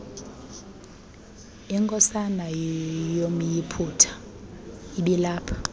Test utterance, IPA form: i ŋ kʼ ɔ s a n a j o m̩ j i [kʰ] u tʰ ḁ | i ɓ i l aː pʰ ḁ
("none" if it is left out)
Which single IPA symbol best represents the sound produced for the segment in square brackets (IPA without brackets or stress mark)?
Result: pʰ